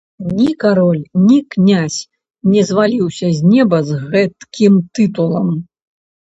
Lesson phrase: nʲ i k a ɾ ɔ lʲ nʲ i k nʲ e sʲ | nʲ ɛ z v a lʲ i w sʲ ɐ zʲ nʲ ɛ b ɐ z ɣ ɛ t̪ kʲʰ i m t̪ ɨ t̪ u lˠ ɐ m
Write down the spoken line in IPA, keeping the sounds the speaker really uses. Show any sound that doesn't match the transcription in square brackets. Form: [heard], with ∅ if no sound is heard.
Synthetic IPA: nʲ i k a ɾ ɔ lʲ nʲ i k nʲ [a] sʲ | nʲ ɛ z v a lʲ i w sʲ ɐ zʲ nʲ ɛ b ɐ z ɣ ɛ t̪ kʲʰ i m t̪ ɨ t̪ u lˠ ɐ m